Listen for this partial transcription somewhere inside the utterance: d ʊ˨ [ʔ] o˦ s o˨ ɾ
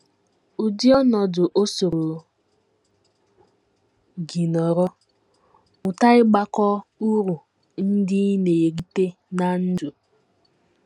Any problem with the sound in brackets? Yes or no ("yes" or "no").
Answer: no